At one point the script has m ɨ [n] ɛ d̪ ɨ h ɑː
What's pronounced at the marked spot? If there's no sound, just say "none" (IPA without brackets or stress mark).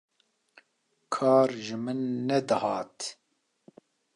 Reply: nː